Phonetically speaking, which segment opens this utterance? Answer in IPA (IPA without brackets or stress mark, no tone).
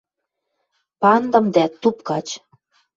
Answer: p